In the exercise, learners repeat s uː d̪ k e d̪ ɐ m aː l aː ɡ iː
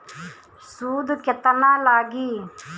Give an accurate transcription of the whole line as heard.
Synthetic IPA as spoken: s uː d̪ k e t̪ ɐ n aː l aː ɡ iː